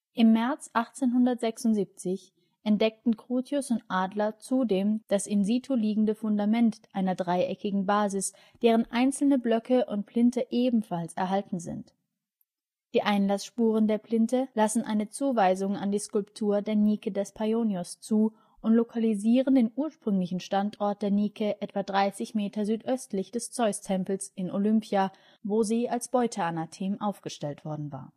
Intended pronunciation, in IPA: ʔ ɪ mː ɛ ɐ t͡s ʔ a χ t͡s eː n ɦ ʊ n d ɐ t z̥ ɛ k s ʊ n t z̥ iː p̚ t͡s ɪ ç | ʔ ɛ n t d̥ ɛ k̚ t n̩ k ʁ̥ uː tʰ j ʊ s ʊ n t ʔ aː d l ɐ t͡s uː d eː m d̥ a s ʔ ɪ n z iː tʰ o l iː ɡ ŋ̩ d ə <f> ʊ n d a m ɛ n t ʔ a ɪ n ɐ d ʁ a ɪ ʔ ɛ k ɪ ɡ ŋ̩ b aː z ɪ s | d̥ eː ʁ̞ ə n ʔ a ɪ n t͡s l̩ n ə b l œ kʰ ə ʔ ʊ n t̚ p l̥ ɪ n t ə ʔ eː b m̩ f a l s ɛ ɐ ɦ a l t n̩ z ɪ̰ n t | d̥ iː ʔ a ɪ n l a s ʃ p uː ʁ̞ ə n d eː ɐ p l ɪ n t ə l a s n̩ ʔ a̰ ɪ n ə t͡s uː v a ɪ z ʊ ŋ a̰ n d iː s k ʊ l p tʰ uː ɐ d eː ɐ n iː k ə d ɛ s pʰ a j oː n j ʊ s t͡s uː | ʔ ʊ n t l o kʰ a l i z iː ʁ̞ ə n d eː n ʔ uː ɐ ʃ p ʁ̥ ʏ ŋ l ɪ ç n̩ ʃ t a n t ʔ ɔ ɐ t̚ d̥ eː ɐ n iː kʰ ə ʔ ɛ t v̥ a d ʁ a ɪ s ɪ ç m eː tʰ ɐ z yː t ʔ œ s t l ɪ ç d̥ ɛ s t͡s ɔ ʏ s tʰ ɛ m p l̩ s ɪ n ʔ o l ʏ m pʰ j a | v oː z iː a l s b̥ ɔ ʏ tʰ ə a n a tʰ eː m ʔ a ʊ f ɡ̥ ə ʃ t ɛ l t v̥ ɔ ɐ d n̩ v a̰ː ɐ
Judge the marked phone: correct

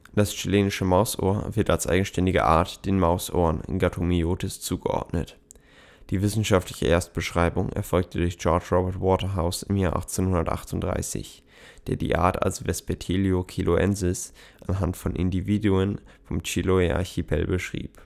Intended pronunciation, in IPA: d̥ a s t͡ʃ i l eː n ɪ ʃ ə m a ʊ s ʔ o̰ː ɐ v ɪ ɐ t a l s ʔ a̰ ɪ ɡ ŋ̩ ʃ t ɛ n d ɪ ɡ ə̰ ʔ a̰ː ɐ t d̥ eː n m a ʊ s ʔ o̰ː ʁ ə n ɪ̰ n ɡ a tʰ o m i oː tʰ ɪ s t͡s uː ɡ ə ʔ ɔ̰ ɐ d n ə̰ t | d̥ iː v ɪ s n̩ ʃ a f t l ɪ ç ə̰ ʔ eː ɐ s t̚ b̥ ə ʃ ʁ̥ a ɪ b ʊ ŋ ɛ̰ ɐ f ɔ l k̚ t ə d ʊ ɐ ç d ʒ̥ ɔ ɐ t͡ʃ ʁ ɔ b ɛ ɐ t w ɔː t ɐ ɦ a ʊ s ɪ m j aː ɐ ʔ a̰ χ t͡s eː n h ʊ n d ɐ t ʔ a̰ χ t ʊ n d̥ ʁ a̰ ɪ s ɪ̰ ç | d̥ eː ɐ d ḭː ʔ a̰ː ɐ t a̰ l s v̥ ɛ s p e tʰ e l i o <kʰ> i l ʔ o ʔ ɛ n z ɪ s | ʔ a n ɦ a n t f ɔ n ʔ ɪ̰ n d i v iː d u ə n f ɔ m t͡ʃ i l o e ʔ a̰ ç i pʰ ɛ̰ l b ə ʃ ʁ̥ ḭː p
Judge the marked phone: correct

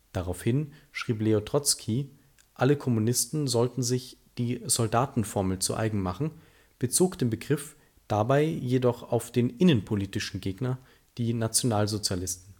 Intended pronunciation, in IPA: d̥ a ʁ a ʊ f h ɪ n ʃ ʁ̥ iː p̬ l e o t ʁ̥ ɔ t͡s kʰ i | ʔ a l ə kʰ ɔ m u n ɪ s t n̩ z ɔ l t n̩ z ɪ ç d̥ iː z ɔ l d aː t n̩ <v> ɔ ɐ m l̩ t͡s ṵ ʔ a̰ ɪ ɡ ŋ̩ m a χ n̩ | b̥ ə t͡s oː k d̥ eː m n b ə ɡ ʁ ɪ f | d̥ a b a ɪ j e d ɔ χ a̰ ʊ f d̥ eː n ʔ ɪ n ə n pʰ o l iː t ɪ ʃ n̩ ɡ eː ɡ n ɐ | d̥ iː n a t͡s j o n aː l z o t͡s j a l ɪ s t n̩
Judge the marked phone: incorrect: f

